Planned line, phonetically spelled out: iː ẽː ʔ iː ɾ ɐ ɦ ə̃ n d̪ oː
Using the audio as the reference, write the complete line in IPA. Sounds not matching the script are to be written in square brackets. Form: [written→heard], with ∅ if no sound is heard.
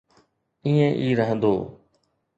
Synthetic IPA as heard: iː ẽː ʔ iː ɾ [ɐ→ə] ɦ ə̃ n d̪ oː